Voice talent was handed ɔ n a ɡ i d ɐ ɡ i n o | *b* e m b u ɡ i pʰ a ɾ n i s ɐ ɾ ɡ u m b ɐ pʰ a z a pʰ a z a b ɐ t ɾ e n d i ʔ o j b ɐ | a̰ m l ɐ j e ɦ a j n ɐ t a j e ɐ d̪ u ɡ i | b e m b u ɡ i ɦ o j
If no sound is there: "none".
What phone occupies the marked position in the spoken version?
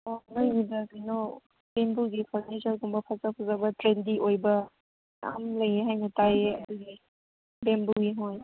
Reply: b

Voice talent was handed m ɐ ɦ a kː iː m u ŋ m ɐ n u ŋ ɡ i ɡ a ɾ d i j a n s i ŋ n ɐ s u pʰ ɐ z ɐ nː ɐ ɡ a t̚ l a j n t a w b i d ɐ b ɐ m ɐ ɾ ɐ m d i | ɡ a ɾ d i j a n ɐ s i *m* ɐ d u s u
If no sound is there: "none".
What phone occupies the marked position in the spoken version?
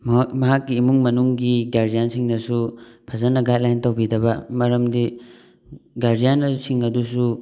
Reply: ŋ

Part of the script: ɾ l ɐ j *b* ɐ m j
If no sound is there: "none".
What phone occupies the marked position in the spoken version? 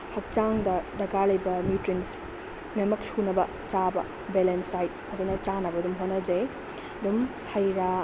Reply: b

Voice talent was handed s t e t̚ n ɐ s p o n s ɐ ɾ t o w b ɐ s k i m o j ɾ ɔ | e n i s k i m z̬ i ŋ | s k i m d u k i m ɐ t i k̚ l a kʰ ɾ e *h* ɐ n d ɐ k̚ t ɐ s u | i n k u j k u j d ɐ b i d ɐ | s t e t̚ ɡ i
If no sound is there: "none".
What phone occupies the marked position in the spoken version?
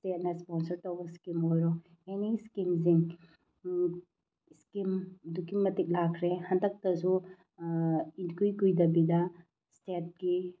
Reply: h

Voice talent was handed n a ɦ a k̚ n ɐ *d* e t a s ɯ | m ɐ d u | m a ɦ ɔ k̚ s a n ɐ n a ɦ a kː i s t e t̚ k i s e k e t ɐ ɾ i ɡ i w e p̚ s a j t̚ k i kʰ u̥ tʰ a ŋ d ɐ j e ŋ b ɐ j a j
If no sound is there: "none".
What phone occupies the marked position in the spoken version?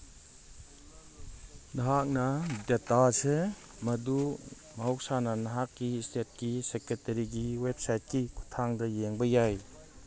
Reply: d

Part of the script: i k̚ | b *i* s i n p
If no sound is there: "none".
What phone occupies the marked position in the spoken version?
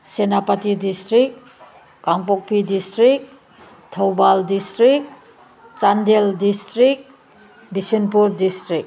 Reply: i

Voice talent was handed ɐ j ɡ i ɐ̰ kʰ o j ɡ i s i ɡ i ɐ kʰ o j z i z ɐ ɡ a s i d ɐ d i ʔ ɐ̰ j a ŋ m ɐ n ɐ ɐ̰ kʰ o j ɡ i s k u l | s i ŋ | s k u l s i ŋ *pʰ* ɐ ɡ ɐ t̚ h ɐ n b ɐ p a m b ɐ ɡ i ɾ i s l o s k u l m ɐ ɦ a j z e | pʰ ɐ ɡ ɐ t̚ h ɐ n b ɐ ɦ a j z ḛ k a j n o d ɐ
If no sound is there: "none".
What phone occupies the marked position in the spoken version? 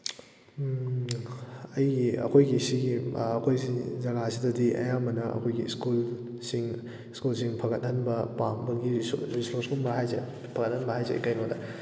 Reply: pʰ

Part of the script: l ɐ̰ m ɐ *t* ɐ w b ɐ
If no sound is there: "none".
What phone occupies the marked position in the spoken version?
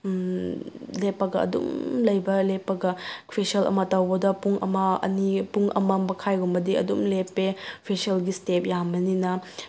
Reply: t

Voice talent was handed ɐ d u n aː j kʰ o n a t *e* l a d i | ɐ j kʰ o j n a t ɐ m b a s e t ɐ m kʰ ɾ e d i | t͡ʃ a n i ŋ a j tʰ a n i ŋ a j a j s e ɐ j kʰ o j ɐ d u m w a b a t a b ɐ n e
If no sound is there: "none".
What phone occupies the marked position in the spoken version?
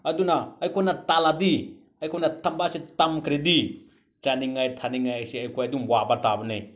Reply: a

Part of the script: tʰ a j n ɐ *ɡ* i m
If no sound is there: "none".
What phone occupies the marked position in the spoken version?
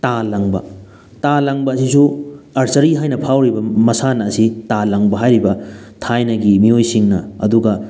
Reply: ɡ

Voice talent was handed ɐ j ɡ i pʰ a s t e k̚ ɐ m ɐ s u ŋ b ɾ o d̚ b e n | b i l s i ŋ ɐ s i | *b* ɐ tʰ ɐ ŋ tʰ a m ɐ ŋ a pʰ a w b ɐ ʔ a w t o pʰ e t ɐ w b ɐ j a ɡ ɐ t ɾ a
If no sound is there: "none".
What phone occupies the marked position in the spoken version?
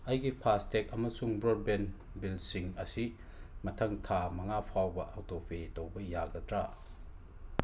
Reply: m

